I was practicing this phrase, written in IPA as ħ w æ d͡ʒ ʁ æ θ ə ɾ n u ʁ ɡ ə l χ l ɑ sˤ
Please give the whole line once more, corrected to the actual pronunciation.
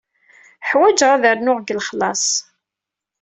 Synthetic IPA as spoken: ħ w æ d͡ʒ ʁ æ ð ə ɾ n ʊ ʁ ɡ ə l χ l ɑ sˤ

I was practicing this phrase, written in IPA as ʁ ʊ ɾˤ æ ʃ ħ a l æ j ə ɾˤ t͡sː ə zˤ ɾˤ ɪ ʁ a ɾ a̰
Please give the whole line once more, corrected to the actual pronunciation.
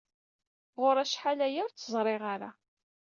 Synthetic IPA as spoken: ʁ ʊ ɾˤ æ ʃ ħ a l æ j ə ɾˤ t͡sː ə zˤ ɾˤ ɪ ʁ a ɾ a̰

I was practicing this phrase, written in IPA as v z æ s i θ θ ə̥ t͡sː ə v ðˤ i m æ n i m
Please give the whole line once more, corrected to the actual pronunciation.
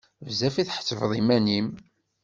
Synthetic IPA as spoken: v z æ f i θ ħ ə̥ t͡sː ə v ðˤ i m æ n i m

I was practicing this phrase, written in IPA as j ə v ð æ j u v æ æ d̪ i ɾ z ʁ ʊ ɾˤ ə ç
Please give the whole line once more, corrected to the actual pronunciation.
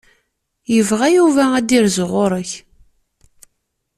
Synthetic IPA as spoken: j ə v ʁ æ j u v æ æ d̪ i ɾ z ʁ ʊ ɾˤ ə ç

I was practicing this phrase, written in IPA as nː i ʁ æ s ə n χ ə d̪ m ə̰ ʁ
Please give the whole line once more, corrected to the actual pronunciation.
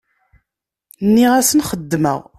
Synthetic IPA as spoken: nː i ʁ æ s ə n χ ə d̪ː m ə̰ ʁ

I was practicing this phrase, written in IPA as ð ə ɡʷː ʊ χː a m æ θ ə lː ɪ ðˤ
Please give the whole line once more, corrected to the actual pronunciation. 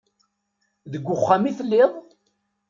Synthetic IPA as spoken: ð ə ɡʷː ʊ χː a m i θ ə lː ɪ ðˤ

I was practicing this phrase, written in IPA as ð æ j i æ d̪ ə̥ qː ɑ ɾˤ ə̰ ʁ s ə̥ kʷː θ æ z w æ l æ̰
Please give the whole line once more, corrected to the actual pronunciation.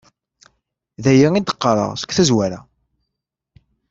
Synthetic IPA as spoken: ð æ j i i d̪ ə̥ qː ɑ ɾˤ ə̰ ʁ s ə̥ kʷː θ æ z w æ ɾ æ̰

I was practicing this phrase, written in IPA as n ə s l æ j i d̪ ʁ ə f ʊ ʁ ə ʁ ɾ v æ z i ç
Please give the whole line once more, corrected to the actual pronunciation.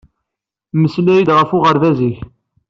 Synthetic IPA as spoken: m ə s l æ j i d̪ ʁ ə f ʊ ʁ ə ɾ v æ z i ç

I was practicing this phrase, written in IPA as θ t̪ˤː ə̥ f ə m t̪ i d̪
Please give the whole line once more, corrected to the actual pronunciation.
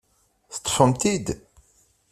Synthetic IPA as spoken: θ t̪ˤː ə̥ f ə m t̪ i d̪

